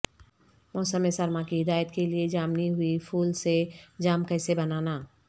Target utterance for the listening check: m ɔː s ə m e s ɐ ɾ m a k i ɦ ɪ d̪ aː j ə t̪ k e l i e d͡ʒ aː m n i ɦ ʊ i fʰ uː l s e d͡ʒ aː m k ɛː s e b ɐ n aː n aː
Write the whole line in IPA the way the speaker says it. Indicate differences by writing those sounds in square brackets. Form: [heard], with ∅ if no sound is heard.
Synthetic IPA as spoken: m ɔː s ə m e s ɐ ɾ m a k i ɦ ɪ d̪ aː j ə t̪ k e l i e d͡ʒ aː m n i ɦ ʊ i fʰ uː l s e d͡ʒ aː m k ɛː s e b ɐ n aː n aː